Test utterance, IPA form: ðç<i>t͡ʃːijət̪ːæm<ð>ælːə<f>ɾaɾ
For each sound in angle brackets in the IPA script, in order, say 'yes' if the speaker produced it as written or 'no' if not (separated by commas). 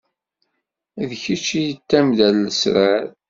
yes, yes, no